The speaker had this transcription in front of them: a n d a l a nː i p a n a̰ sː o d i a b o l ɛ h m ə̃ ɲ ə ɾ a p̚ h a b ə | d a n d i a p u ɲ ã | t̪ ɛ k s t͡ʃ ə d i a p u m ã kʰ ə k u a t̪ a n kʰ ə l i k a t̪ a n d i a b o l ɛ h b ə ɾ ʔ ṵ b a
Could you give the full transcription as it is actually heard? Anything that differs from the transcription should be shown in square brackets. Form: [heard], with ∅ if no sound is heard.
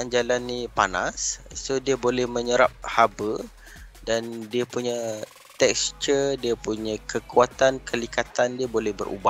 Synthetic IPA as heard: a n [d͡ʒ] a l a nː i p a n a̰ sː o d i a b o l ɛ h m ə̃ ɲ ə ɾ a p̚ h a b ə | d a n d i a p u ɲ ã | t̪ ɛ k s t͡ʃ ə d i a p u [ɲ] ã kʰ ə k u a t̪ a n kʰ ə l i k a t̪ a n d i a b o l ɛ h b ə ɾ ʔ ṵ b a